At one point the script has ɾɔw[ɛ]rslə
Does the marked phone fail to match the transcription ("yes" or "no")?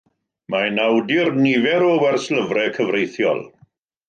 no